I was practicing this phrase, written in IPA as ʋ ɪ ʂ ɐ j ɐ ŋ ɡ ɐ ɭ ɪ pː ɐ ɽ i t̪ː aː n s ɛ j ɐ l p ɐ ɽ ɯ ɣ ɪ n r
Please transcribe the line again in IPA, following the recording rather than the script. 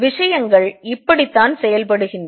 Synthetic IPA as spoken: ʋ ɪ ʂ ɐ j ɐ ŋ ɡ ɐ ɭ ɪ pː ɐ ɽ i t̪ː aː n s ɛ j ɐ l p ɐ ɽ ɯ ɣ ɪ n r